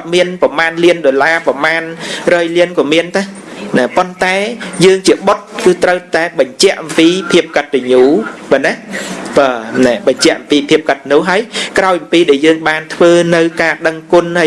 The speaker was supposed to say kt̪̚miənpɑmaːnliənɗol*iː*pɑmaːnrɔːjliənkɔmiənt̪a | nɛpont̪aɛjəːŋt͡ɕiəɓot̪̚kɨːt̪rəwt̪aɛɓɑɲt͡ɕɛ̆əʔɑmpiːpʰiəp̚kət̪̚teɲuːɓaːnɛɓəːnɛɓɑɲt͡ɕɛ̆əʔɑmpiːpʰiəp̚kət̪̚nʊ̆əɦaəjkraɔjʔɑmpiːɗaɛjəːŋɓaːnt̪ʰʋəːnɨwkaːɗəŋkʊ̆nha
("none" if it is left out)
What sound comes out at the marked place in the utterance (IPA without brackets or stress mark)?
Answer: aː